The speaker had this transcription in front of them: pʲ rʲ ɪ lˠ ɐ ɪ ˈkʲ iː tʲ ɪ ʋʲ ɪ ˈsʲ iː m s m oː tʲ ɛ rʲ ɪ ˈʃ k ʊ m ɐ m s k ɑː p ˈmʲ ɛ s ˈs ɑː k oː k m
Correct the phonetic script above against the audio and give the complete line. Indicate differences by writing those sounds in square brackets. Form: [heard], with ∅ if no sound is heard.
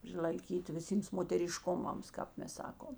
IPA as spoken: pʲ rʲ ɪ lˠ ɐ ɪ ˈkʲ iː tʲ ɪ ʋʲ ɪ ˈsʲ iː m s m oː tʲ ɛ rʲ ɪ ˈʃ k ʊ m ɐ m s k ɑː p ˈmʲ ɛ s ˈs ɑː k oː [∅] m